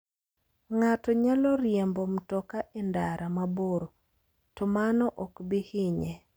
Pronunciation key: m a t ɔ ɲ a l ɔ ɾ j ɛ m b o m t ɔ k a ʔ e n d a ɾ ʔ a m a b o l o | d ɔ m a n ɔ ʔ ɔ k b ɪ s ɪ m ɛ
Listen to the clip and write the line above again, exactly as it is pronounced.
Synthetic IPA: ŋ a t ɔ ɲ a l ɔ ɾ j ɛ m b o m t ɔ k a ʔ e n d a ɾ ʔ a m a b o ɾ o | t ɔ m a n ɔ ʔ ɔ k b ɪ h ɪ ɲ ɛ

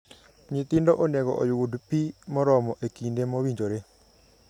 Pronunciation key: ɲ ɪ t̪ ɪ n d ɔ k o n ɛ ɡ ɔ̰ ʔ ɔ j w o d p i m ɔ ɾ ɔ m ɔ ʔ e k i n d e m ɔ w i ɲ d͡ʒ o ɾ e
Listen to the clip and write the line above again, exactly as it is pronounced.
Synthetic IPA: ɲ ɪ t̪ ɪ n d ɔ ʔ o n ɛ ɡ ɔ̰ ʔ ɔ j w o d p i m ɔ ɾ ɔ m ɔ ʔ e k i n d e m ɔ w i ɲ d͡ʒ o ɾ e

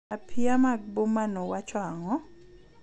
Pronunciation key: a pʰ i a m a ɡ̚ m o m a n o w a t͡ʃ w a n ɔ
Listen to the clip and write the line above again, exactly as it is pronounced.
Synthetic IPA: a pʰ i a m a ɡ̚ b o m a n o w a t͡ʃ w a ŋ ɔ

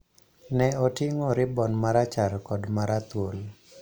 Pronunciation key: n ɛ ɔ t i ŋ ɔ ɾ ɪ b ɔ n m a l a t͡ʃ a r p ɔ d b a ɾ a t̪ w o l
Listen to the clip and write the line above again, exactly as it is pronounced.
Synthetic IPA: n ɛ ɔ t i ŋ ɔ ɾ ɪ b ɔ n m a ɾ a t͡ʃ a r k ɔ d m a ɾ a t̪ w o l

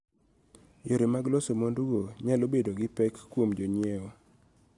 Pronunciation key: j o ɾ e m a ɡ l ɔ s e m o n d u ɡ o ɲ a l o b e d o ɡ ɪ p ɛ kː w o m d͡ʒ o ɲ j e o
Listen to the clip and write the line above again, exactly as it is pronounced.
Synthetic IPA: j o ɾ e m a ɡ l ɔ s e m o n d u ɡ o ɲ a l o b e d o ɡ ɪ p ɛ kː w o m d͡ʒ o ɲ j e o

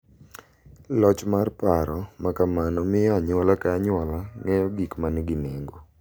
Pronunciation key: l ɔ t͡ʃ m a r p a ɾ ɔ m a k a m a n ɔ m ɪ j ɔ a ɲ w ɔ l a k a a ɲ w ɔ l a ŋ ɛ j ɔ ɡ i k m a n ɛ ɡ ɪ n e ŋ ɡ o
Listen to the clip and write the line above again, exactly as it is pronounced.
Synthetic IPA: l ɔ t͡ʃ m a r p a ɾ ɔ m a k a m a n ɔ m ɪ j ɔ a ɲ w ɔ l a k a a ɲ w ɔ l a ŋ ɛ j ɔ ɡ i k m a n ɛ ɡ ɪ n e ŋ ɡ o

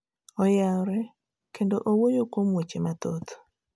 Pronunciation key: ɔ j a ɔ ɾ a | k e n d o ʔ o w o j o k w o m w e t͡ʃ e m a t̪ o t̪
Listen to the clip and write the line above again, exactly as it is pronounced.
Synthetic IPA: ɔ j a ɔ ɾ ɛ | k e n d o ʔ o w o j o k w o m w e t͡ʃ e m a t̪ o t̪

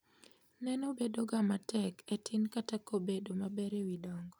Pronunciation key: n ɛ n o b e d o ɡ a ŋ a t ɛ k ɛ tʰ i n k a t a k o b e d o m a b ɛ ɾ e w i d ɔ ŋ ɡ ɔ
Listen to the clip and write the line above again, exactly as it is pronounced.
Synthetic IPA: n ɛ n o b e d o ɡ a m a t ɛ k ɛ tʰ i n k a t a k o b e d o m a b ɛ ɾ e w i d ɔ ŋ ɡ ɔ

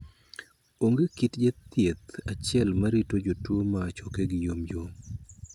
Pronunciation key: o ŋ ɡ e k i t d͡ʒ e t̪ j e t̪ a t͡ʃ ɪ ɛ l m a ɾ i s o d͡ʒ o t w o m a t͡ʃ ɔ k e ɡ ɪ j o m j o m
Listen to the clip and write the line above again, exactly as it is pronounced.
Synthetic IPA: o ŋ ɡ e k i t d͡ʒ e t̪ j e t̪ a t͡ʃ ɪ ɛ l m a ɾ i t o d͡ʒ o t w o m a t͡ʃ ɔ k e ɡ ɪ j o m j o m

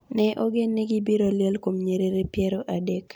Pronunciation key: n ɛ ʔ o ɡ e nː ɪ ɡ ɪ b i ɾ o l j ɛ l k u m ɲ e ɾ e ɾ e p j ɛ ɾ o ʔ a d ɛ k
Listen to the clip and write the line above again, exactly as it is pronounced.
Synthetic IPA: n ɛ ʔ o ɡ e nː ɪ ɡ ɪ b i ɾ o l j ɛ l k o m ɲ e ɾ e ɾ e p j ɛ ɾ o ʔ a d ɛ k

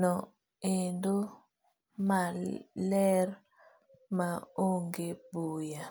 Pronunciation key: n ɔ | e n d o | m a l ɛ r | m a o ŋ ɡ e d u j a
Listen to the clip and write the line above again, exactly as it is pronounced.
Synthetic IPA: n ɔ | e n d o | m a l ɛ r | m a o ŋ ɡ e b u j a

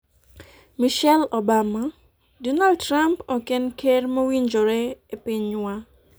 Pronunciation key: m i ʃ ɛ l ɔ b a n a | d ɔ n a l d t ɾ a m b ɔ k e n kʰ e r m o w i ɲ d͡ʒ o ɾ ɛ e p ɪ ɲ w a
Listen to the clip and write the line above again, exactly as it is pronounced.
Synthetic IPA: m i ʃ ɛ l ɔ b a m a | d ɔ n a l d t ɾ a m p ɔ k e n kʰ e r m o w i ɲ d͡ʒ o ɾ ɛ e p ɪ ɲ w a

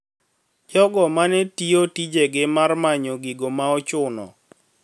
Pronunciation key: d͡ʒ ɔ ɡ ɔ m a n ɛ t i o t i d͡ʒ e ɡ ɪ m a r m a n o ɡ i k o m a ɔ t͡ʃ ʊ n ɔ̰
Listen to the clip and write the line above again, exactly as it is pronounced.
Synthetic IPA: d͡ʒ ɔ ɡ ɔ m a n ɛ t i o t i d͡ʒ e ɡ ɪ m a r m a ɲ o ɡ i ɡ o m a ɔ t͡ʃ ʊ n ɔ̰

